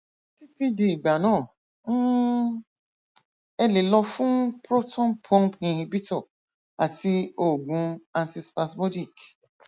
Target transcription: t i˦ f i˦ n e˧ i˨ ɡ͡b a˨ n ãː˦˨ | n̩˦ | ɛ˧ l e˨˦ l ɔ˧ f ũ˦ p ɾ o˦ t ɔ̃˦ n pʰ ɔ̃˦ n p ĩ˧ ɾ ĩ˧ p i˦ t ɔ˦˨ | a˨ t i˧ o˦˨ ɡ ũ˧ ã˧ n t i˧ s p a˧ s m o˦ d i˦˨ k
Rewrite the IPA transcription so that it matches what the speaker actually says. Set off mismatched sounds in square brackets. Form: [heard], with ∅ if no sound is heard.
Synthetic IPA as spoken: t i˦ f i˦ [d] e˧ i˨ ɡ͡b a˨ n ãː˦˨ | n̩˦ | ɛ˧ l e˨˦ l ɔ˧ f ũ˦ p ɾ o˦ t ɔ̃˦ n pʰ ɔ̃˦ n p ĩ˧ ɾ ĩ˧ [b] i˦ t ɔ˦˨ | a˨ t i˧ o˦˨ ɡ ũ˧ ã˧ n t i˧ s p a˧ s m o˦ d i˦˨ k